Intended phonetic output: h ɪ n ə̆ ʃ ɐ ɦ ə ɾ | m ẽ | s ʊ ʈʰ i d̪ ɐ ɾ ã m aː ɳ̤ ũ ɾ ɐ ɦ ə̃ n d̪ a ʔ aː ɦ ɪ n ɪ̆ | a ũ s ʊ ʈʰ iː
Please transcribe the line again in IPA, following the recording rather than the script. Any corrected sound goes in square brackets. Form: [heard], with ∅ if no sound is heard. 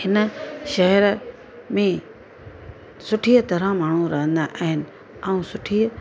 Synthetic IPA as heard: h ɪ n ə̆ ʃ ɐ ɦ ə ɾ | m ẽ | s ʊ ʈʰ i [t̪] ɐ ɾ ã m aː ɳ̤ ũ ɾ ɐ ɦ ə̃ n d̪ a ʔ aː ɦ ɪ n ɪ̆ | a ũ s ʊ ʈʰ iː